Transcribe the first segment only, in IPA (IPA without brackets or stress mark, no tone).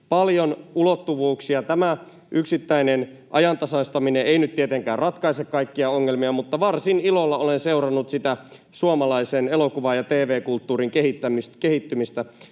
p